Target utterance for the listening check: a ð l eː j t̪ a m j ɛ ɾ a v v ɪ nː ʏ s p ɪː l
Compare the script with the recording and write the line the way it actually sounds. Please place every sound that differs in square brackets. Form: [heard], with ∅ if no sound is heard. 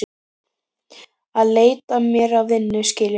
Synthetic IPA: a ð l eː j t̪ a m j ɛ ɾ a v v ɪ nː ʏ s [c] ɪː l